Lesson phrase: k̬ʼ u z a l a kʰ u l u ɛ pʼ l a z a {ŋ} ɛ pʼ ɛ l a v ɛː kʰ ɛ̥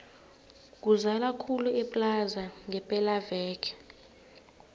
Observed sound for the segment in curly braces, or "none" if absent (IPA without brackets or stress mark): ŋ